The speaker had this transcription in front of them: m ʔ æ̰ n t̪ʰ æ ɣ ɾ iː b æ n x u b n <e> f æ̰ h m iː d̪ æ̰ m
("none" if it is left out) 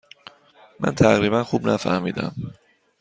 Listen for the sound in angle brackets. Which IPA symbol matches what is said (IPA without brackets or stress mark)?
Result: æ